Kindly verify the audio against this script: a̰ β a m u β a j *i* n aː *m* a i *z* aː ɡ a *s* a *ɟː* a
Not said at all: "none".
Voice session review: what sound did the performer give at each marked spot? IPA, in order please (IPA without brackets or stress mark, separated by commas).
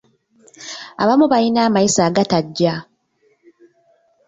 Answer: i, m, s, t, ɟː